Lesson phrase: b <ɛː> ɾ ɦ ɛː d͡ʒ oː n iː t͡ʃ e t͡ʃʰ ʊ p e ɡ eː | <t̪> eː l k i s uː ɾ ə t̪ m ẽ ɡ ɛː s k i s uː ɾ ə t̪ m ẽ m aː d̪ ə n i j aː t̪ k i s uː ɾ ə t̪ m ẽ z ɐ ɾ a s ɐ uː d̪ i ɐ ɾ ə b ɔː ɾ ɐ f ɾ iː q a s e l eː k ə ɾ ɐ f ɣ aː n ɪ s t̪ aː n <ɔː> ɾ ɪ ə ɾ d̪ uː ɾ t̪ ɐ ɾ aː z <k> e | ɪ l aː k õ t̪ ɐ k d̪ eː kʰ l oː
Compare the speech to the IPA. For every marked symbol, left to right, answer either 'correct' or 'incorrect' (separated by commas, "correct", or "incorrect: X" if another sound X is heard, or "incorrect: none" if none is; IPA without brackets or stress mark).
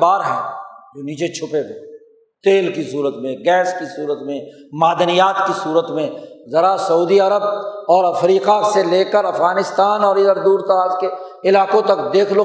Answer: incorrect: aː, correct, correct, correct